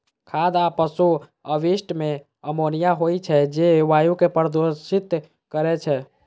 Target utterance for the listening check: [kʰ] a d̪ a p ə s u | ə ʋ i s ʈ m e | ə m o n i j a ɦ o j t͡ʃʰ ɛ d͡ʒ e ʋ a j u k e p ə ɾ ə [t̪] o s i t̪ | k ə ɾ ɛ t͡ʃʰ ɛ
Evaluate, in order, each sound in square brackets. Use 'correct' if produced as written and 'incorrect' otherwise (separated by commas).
correct, incorrect